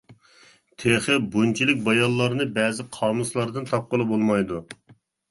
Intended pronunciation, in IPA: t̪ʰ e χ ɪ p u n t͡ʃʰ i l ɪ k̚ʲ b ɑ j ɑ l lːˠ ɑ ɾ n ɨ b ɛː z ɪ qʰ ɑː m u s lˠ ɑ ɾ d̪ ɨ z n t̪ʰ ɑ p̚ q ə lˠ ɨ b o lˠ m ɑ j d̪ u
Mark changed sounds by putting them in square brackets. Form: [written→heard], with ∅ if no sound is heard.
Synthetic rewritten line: t̪ʰ e χ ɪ [p→b] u n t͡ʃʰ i l ɪ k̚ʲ b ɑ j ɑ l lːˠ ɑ ɾ n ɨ b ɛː z ɪ qʰ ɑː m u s lˠ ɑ ɾ d̪ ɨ [z→∅] n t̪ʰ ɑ p̚ q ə lˠ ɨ b o lˠ m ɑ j d̪ u